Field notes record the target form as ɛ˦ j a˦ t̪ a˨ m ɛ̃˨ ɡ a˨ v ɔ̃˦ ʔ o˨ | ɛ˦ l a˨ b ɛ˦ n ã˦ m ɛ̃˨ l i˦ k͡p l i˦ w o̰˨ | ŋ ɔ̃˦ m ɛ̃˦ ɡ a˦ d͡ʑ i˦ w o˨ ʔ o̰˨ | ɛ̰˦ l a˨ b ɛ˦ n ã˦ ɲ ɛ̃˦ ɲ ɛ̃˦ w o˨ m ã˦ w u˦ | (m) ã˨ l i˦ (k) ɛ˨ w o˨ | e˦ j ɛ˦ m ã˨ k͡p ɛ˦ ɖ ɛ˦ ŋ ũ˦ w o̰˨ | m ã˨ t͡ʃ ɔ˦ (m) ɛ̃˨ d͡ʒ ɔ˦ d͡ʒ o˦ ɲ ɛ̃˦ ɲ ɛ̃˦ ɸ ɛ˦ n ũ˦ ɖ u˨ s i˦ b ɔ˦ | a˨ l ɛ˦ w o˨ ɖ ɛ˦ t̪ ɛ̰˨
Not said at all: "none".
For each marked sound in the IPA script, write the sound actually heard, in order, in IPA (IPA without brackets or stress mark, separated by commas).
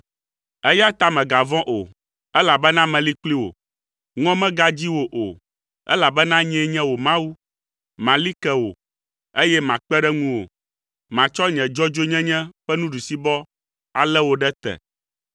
m, k, ɲ